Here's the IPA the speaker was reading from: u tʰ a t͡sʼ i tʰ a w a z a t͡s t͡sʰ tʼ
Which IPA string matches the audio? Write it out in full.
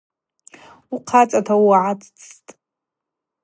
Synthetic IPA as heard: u qʰ a t͡sʼ a tʰ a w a ʕ a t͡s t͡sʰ tʼ

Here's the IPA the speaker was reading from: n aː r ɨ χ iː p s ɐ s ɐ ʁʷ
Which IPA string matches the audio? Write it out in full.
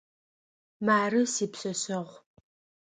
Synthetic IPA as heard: m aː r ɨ s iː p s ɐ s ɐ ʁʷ

